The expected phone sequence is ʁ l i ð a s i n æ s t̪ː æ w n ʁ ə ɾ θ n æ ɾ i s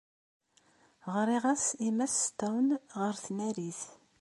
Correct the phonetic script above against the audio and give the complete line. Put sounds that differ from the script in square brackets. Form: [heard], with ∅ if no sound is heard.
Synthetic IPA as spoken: ʁ [ɾ] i [ʁ] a s i [m] æ s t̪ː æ w n ʁ ə ɾ θ n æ ɾ i [θ]